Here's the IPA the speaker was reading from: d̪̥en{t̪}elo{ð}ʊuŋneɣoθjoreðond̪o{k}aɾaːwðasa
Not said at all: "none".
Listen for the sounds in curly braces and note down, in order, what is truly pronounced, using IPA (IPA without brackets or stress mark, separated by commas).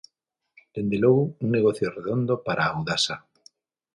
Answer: d̪, ɣ, p